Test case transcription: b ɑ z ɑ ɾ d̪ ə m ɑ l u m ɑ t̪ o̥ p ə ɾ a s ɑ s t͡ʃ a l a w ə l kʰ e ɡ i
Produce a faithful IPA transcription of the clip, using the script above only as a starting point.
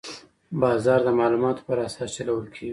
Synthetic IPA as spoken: b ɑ z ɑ ɾ d̪ ə m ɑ l u m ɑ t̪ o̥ p ə ɾ a s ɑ s t͡ʃ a l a w ə l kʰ e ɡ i